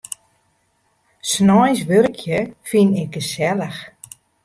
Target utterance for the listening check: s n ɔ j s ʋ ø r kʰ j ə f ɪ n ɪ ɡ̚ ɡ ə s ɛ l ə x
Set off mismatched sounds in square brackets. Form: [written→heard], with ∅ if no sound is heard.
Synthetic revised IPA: s n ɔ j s ʋ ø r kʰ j ə f [ɪ→i] n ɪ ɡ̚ ɡ ə s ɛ l ə x